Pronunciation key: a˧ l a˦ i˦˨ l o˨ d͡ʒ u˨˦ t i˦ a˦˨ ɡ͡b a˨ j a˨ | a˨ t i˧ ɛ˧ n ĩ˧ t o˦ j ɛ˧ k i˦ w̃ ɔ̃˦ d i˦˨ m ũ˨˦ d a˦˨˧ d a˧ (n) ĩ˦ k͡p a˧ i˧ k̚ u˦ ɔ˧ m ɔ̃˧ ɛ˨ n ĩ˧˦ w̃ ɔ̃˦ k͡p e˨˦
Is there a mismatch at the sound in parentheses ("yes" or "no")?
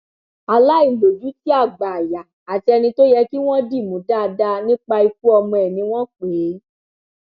no